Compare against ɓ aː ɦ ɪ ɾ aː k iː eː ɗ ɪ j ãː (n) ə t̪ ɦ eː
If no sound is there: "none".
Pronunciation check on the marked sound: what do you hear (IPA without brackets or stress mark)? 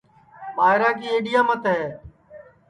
m